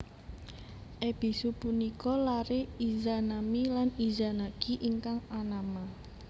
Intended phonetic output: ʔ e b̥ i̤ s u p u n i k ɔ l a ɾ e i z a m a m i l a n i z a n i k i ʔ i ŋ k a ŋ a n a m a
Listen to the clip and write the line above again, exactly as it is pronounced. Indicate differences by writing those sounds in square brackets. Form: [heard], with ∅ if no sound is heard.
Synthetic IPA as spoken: ʔ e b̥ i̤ s u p u n i k ɔ l a ɾ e i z a [n] a m i l a n i z a n [a] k i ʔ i ŋ k a ŋ a n a m a